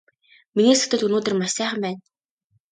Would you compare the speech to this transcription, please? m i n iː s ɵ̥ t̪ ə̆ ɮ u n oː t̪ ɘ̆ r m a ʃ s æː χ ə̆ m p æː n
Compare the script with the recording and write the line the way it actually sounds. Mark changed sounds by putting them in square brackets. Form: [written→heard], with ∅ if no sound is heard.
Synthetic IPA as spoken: m i n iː s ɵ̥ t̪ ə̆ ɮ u n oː t̪ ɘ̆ r m a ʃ s æː χ ə̆ m p æː n

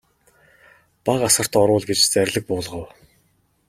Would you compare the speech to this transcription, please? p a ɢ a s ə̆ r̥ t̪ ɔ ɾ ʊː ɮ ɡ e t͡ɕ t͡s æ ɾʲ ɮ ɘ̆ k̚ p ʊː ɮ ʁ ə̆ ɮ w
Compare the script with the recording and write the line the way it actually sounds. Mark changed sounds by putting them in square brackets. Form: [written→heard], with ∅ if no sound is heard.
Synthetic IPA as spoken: p a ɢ a s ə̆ r̥ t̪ ɔ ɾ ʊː ɮ ɡ e t͡ɕ t͡s æ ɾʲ ɮ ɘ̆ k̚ p ʊː ɮ ʁ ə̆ [ɮ→∅] w

